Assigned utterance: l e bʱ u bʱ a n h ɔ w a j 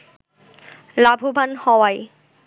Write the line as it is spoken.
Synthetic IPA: l a bʱ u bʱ a n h ɔ w a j